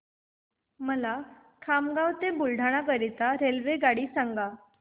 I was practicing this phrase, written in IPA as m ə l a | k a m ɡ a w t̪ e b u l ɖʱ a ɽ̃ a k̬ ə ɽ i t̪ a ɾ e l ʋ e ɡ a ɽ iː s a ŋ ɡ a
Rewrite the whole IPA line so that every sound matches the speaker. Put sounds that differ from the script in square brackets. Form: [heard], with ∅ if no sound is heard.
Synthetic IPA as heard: m ə l a | [kʰ] a m ɡ a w t̪ e b u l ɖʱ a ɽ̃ a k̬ ə [ɾ] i t̪ a ɾ e l ʋ e ɡ a ɽ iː s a ŋ ɡ a